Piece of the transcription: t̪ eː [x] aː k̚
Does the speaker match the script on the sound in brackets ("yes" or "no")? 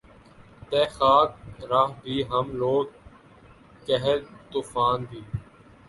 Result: yes